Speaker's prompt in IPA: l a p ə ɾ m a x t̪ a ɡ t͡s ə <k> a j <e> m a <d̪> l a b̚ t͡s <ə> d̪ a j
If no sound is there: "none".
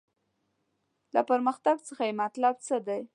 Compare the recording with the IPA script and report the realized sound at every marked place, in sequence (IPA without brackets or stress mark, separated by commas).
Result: x, e, t̪, ə